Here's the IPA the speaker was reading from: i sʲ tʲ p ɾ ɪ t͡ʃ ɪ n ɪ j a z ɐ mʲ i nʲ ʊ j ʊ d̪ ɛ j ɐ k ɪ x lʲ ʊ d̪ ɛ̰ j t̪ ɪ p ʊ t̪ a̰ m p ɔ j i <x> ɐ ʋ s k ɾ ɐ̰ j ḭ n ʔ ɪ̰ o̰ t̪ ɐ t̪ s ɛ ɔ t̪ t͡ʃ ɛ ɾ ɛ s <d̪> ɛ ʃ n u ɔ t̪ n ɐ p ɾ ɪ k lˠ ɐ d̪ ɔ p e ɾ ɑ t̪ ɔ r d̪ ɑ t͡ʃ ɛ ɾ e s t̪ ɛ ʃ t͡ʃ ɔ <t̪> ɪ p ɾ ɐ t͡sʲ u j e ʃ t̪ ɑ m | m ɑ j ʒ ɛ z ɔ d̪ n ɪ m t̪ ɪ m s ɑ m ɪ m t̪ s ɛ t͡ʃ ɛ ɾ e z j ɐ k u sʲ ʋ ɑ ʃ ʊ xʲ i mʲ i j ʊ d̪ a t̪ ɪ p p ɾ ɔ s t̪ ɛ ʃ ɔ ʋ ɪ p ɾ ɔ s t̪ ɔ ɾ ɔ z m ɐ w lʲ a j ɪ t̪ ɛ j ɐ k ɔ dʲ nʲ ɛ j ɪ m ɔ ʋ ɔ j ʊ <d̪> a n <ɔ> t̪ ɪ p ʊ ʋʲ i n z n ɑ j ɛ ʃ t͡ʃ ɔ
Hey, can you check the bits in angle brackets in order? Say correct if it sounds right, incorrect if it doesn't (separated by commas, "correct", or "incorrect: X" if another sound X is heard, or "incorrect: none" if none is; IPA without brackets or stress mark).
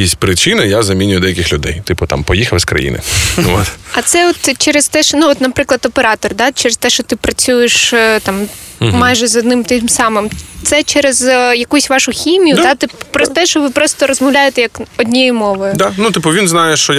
correct, incorrect: t̪, correct, correct, incorrect: u